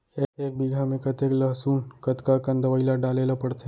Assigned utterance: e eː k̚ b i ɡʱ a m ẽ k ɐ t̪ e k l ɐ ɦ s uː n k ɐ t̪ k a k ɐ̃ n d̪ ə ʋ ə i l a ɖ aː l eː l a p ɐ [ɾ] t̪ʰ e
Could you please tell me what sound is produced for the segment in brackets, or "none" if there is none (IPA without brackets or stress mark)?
ɽ